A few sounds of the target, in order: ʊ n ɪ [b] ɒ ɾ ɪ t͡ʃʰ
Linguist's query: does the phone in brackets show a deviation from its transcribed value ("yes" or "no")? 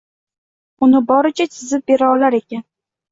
no